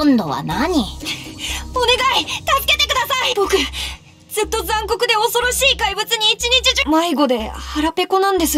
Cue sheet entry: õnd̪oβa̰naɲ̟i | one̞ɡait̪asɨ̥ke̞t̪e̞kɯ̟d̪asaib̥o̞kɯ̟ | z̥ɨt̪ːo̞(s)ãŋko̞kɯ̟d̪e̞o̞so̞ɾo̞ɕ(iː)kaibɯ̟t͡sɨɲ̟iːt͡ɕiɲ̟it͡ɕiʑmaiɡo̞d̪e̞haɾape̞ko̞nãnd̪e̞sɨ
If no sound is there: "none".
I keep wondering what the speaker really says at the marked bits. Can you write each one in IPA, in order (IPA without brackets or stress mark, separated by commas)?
z, iː